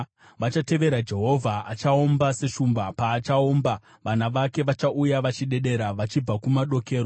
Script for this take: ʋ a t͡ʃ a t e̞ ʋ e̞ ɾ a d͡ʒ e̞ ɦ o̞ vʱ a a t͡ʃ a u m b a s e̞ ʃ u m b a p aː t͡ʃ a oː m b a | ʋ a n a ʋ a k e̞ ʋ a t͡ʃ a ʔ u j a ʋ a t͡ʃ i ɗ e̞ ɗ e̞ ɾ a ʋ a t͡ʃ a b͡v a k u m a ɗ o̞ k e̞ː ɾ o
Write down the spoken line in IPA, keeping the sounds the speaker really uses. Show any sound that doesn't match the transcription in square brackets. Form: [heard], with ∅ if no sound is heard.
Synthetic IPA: ʋ a t͡ʃ a t e̞ ʋ e̞ ɾ a d͡ʒ e̞ ɦ o̞ vʱ a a t͡ʃ a [o] m b a s e̞ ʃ u m b a p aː t͡ʃ a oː m b a | ʋ a n a ʋ a k e̞ ʋ a t͡ʃ a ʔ u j a ʋ a t͡ʃ i ɗ e̞ ɗ e̞ ɾ a ʋ a t͡ʃ [i] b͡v a k u m a ɗ o̞ k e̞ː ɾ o